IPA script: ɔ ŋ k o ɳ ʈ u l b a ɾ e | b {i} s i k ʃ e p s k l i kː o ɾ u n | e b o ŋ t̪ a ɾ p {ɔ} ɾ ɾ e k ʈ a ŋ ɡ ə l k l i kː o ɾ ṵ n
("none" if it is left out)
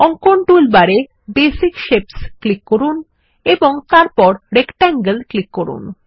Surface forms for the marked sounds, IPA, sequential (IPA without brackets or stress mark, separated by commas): e, ɔ